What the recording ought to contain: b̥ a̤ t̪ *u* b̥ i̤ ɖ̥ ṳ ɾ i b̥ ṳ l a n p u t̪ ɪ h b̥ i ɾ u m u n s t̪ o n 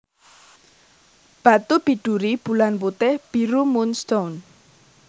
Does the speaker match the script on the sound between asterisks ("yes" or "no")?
yes